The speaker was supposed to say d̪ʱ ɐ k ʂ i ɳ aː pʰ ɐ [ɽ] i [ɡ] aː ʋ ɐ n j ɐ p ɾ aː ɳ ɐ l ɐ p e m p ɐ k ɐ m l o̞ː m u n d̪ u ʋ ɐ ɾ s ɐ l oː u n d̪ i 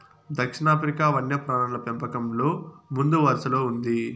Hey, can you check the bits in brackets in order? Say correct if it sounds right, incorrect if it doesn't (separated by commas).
incorrect, incorrect